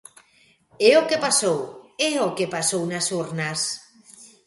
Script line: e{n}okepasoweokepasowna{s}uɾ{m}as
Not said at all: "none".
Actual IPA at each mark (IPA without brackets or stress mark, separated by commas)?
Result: none, s, n